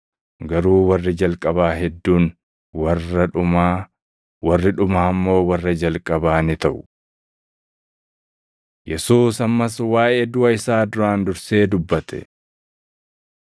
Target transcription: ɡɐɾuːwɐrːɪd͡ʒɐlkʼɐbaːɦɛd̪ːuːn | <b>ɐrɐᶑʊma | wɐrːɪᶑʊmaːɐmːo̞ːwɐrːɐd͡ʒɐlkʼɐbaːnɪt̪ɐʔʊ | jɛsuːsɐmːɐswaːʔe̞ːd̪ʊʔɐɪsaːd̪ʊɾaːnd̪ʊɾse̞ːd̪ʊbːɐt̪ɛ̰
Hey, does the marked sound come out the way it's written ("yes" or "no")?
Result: no